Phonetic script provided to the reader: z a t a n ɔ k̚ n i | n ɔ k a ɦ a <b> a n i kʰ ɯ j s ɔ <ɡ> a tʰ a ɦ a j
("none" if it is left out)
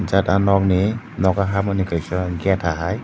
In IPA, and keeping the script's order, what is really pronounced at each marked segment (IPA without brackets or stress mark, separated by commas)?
m, ɡ